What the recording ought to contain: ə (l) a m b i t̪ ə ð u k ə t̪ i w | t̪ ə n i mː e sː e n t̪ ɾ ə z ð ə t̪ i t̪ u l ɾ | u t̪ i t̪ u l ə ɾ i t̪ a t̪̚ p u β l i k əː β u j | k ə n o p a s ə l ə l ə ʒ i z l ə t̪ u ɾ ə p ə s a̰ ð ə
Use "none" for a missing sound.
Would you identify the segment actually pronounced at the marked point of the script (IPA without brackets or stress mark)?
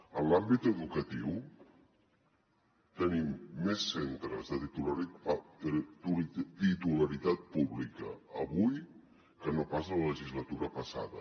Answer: l